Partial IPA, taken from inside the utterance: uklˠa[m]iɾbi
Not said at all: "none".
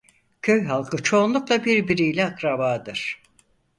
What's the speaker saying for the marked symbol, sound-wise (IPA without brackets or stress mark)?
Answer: b